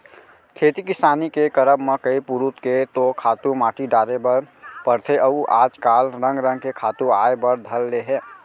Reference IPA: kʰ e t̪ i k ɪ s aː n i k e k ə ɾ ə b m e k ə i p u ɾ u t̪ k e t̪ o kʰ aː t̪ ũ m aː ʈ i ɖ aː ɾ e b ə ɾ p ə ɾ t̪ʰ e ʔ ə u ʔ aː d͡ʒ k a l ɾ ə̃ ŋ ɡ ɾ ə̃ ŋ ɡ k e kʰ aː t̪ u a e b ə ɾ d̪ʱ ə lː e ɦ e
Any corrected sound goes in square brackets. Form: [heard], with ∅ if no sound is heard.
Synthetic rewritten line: kʰ e t̪ i k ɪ s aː n i k e k ə ɾ ə b m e k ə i p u ɾ u t̪ k e t̪ o kʰ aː t̪ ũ m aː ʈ i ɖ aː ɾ e b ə ɾ p ə ɾ t̪ʰ e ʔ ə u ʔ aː d͡ʒ k a l ɾ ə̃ ŋ ɡ ɾ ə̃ ŋ ɡ k e kʰ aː t̪ u a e b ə ɾ d̪ʱ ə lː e ɦ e

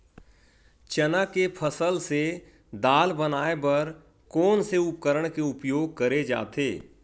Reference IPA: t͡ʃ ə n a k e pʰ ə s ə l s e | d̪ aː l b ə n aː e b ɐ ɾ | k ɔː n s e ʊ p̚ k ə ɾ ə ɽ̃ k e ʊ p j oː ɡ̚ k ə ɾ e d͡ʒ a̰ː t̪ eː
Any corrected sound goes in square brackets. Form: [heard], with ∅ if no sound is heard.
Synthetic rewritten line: t͡ʃ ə n a k e pʰ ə s ə l s e | d̪ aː l b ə n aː e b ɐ ɾ | k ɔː n s e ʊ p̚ k ə ɾ ə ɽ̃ k e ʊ p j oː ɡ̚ k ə ɾ e d͡ʒ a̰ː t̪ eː

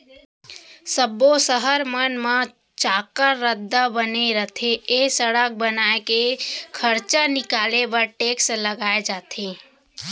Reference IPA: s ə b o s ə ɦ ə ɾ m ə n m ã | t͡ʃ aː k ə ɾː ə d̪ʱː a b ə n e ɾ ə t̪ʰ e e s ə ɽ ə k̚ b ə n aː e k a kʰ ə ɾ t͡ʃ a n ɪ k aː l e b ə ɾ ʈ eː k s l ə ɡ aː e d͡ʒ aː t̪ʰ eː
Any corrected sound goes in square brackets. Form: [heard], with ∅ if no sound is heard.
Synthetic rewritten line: s ə b o s ə ɦ ə ɾ m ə n m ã | t͡ʃ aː k ə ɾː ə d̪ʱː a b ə n e ɾ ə t̪ʰ e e s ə ɽ ə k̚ b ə n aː e k [e] kʰ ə ɾ t͡ʃ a n ɪ k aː l e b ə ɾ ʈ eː k s l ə ɡ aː e d͡ʒ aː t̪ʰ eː

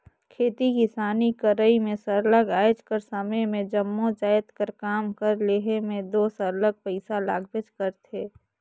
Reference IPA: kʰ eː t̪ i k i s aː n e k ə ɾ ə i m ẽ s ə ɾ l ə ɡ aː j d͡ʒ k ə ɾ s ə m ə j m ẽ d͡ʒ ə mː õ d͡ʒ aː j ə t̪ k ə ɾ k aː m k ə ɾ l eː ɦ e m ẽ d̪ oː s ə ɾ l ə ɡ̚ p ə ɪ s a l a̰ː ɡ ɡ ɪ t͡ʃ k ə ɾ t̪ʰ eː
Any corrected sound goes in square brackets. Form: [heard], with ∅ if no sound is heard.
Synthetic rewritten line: kʰ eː t̪ i k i s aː n [i] k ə ɾ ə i m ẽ s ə ɾ l ə ɡ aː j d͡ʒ k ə ɾ s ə m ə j m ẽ d͡ʒ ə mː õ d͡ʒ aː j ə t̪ k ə ɾ k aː m k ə ɾ l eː ɦ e m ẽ d̪ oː s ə ɾ l ə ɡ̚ p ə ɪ s a l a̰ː ɡ [b] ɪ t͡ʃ k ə ɾ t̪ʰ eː

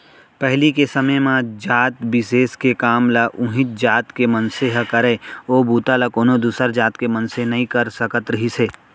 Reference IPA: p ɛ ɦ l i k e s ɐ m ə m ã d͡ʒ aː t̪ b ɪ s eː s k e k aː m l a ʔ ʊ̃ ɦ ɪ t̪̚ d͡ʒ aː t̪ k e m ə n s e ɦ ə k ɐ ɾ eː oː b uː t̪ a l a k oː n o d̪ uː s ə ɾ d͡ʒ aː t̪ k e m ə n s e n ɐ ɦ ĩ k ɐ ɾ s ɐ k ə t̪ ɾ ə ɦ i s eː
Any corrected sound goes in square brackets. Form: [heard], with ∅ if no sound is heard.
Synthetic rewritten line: p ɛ ɦ l i k e s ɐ m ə m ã d͡ʒ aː t̪ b ɪ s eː s k e k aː m l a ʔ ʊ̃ ɦ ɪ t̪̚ d͡ʒ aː t̪ k e m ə n s e ɦ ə k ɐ ɾ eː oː b uː t̪ a l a k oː n o d̪ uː s ə ɾ d͡ʒ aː t̪ k e m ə n s e n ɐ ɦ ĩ k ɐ ɾ s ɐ k ə t̪ ɾ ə ɦ i s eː

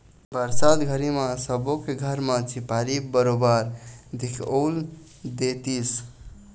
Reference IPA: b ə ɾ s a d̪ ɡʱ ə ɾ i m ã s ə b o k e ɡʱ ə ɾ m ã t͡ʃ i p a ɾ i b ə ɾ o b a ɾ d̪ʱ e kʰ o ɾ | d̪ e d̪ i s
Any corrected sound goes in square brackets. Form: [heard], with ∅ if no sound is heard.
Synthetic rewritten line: b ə ɾ s a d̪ ɡʱ ə ɾ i m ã s ə b o k e ɡʱ ə ɾ m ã t͡ʃ i p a ɾ i b ə ɾ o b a ɾ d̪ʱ [i] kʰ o [l] | d̪ e [t̪] i s

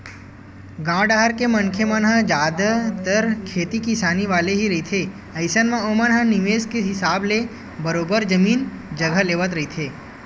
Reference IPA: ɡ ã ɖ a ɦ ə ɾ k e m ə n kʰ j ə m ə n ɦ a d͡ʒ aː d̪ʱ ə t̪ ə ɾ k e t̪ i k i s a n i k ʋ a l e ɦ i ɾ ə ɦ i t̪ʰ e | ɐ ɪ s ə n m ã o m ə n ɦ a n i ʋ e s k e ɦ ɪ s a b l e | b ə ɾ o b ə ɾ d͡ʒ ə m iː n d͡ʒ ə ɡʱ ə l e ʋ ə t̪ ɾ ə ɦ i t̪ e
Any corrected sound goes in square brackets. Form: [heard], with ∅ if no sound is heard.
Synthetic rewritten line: ɡ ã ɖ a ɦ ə ɾ k e m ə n kʰ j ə m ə n ɦ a d͡ʒ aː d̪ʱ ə t̪ ə ɾ [kʰ] e t̪ i k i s a n i [∅] ʋ a l e ɦ i ɾ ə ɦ i t̪ʰ e | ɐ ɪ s ə n m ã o m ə n ɦ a n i ʋ e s k e ɦ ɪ s a b l e | b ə ɾ o b ə ɾ d͡ʒ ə m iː n d͡ʒ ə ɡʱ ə l e ʋ ə t̪ ɾ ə ɦ i [t̪ʰ] e

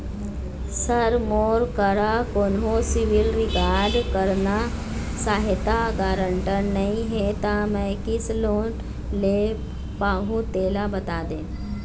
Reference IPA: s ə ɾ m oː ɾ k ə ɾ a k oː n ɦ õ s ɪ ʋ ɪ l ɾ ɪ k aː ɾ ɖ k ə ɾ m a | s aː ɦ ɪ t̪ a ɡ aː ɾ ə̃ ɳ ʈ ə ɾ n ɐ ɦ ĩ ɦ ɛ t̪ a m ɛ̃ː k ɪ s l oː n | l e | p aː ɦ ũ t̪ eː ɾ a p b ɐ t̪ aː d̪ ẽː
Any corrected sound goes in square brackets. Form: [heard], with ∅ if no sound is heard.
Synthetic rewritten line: s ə ɾ m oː ɾ k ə ɾ a k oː n ɦ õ s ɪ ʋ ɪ l ɾ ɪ k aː ɾ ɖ k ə ɾ [n] a | s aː ɦ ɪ t̪ a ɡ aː ɾ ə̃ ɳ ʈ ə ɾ n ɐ ɦ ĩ ɦ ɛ t̪ a m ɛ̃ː k ɪ s l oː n | l e | p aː ɦ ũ t̪ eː [l] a [∅] b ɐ t̪ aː d̪ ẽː

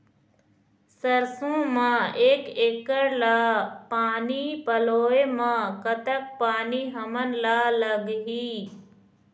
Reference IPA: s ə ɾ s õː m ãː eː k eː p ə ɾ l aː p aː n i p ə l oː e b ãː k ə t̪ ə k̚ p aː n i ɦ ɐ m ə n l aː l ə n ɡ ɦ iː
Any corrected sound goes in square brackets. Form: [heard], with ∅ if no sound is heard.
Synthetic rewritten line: s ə ɾ s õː m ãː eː k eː [k] ə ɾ l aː p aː n i p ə l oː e [m] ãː k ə t̪ ə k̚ p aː n i ɦ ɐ m ə n l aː l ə [∅] ɡ ɦ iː

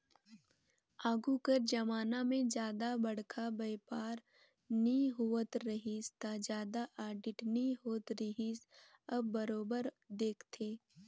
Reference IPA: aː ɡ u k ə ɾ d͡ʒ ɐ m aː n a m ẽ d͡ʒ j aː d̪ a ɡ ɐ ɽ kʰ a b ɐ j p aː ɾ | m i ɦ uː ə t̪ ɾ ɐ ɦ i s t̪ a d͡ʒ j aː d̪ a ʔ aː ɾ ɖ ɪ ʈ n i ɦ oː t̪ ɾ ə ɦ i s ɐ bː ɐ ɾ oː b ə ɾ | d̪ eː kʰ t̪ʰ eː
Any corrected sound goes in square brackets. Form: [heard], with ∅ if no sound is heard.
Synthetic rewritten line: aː ɡ u k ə ɾ d͡ʒ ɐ m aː n a m ẽ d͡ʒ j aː d̪ a [b] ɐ ɽ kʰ a b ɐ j p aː ɾ | [n] i ɦ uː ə t̪ ɾ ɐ ɦ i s t̪ a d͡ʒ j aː d̪ a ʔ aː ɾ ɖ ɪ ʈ n i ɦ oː t̪ ɾ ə ɦ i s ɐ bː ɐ ɾ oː b ə ɾ | d̪ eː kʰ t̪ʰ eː

